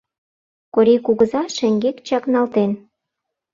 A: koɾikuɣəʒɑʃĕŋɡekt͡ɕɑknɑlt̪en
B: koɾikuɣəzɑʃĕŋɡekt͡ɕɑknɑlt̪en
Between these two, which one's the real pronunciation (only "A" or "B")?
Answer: B